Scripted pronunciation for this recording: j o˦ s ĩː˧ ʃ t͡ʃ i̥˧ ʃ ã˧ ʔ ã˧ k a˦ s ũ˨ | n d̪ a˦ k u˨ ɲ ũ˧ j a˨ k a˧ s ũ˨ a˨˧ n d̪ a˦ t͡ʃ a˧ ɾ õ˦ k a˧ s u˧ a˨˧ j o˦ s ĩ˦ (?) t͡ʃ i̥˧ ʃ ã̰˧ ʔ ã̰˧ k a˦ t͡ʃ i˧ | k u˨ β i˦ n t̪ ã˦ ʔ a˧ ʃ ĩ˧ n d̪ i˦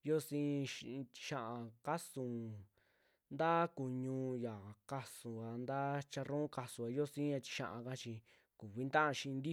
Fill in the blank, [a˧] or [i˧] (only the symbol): a˧